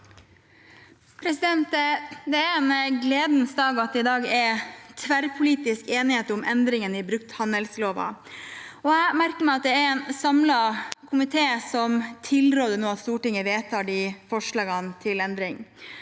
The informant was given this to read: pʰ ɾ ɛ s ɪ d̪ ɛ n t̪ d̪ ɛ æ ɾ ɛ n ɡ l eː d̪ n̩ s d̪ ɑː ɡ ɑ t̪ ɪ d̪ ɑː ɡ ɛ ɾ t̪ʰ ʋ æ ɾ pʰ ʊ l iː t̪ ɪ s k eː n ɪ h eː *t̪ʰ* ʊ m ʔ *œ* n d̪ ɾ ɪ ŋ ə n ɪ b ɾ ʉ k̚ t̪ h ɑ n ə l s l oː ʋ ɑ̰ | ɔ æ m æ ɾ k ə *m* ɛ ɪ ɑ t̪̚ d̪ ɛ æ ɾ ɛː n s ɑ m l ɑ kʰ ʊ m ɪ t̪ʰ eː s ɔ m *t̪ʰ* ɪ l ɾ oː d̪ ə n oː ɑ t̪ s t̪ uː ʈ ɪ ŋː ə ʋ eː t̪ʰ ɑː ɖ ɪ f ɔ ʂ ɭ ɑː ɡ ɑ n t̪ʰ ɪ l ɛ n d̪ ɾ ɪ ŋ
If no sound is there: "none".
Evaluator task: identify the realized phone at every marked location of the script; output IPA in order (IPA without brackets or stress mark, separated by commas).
t̪, ɛ, m, t̪ʰ